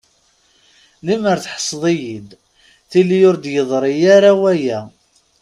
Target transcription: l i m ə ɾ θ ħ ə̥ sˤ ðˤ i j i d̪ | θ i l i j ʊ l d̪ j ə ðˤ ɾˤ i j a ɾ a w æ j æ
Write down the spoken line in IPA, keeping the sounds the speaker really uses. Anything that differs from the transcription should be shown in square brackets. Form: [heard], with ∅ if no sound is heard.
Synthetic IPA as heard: l i m ə ɾ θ ħ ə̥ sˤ ðˤ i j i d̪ | θ i l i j ʊ [ɾ] d̪ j ə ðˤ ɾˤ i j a ɾ a w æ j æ